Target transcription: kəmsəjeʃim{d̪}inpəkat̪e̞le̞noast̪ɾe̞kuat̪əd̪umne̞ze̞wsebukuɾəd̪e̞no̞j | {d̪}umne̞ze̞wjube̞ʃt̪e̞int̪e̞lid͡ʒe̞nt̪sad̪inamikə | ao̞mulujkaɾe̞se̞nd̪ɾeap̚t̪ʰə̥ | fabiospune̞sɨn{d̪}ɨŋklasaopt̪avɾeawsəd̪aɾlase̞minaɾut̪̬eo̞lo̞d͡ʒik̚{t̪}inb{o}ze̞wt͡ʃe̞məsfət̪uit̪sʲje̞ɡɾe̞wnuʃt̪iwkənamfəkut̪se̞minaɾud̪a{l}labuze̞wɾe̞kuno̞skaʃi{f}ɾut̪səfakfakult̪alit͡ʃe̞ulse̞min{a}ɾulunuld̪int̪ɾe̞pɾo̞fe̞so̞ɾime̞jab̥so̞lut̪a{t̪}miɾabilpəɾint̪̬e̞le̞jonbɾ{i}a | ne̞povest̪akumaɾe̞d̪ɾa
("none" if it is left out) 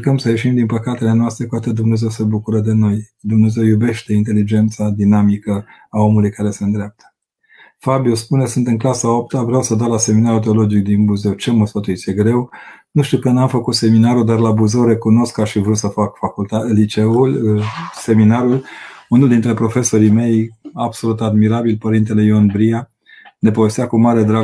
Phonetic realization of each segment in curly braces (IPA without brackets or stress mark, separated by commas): d̪, d̪, t̪, d̪, u, r, v, a, d̪, i